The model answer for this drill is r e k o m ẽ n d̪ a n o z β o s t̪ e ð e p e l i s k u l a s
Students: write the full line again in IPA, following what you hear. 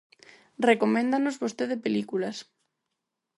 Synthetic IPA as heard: r e k o m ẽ n d̪ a n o z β o s t̪ e ð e p e l i k u l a s